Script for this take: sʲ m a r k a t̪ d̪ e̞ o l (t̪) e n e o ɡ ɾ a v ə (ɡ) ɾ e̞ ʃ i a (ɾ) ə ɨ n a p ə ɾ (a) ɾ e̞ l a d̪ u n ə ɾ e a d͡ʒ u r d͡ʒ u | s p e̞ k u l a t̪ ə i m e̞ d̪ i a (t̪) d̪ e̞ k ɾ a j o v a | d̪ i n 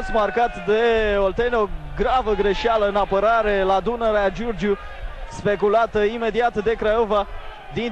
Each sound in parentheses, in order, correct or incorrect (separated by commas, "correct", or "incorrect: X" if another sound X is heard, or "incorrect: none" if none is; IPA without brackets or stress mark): correct, correct, incorrect: l, correct, correct